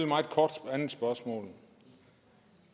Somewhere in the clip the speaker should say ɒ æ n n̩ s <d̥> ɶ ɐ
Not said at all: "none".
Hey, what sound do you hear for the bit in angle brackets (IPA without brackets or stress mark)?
b̥